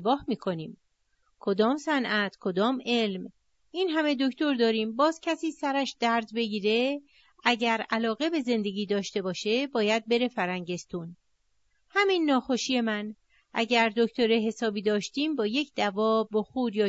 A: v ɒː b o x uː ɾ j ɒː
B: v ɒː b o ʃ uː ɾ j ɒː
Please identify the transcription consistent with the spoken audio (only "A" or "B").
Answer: A